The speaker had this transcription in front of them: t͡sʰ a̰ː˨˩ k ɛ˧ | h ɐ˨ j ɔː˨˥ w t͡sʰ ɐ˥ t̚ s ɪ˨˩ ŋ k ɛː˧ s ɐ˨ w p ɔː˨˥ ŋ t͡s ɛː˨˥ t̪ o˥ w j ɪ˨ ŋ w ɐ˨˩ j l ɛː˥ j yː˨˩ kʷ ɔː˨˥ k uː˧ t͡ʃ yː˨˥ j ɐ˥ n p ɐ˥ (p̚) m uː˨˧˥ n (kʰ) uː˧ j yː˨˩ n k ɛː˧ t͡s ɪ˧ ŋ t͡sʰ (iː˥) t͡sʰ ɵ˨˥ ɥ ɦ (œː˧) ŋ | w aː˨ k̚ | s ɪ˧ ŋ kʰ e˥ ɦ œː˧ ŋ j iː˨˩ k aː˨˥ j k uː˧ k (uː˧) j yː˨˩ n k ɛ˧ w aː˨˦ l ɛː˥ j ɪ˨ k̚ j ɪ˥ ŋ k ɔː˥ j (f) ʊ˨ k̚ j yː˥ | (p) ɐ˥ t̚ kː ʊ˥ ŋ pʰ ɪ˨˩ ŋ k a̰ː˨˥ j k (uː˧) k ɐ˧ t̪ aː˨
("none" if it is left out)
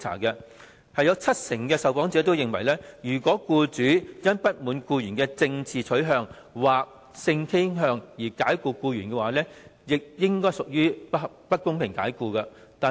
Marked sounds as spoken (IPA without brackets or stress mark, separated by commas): t̚, k, iː˨, œː˧, uː˧, s, p, uː˧